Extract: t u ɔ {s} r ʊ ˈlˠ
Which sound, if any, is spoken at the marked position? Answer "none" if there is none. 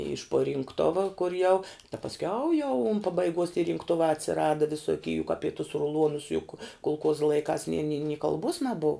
s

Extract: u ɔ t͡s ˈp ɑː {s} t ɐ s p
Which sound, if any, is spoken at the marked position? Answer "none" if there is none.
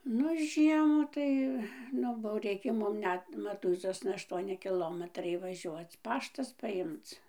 ʃ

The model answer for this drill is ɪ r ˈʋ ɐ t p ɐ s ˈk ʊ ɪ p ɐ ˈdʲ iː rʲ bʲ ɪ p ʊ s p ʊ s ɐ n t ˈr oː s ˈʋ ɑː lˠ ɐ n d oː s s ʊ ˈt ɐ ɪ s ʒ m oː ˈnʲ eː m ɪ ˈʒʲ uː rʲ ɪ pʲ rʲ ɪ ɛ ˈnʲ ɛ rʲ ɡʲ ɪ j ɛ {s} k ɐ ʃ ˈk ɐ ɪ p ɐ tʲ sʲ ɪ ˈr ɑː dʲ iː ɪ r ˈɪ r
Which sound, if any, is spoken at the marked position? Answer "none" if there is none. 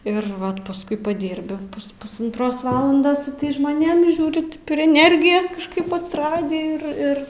s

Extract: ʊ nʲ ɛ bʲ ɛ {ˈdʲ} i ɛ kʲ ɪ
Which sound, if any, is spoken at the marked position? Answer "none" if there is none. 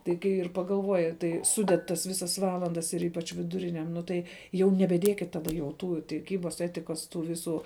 dʲ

